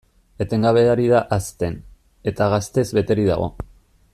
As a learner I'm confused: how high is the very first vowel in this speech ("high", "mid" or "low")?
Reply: mid